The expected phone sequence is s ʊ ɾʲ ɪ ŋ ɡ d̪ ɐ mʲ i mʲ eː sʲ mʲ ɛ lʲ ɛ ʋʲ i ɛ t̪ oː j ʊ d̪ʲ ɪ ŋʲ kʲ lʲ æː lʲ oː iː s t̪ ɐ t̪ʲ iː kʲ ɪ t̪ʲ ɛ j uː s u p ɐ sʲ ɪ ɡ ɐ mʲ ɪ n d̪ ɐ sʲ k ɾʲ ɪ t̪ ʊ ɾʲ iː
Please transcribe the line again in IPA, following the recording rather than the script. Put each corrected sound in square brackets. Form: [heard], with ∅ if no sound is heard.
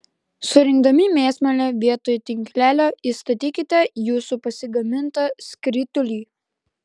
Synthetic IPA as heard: s ʊ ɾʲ ɪ ŋ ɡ d̪ ɐ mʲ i mʲ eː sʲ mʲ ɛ lʲ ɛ ʋʲ i ɛ t̪ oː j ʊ [t̪ʲ] ɪ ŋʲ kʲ lʲ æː lʲ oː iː s t̪ ɐ t̪ʲ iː kʲ ɪ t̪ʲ ɛ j uː s u p ɐ sʲ ɪ ɡ ɐ mʲ ɪ n [t̪] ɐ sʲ k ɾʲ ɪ t̪ ʊ [lʲ] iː